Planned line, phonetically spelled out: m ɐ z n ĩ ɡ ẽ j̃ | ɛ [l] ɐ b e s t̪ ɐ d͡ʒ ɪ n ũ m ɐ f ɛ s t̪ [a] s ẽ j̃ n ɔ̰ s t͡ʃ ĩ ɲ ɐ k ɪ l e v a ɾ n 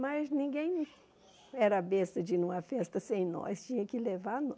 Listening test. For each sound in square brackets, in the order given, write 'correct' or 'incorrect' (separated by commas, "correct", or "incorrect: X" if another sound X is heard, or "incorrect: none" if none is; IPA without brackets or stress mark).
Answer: incorrect: ɾ, incorrect: ɐ